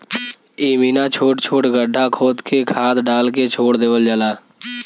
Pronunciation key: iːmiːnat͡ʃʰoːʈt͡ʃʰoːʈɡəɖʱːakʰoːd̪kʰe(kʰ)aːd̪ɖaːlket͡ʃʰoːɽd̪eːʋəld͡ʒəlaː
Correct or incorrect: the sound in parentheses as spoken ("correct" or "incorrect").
correct